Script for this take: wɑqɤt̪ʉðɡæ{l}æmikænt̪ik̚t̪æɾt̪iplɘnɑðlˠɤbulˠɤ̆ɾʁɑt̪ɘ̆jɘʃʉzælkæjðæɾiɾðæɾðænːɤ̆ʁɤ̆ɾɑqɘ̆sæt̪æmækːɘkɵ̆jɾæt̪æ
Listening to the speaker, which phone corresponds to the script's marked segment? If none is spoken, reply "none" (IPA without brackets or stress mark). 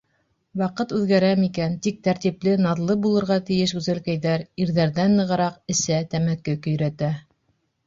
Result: ɾ